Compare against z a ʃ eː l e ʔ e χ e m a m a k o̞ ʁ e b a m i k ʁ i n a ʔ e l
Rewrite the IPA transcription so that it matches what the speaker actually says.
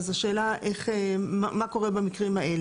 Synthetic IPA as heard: z a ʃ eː l a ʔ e χ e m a m a k o̞ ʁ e b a m i k ʁ i m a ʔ e l